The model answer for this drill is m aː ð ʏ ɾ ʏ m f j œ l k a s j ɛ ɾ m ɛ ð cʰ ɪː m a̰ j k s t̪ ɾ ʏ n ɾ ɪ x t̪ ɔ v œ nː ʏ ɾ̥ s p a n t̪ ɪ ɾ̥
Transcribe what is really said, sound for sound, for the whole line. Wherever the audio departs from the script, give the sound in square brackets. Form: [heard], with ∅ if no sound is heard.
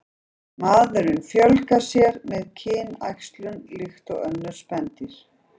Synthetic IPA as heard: m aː ð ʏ ɾ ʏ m f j œ l k a s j ɛ ɾ m ɛ ð cʰ ɪː [n] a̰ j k s t̪ [l] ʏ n [l] ɪ x t̪ ɔ [ɣ] œ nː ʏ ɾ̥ s p [ɛ] n t̪ ɪ ɾ̥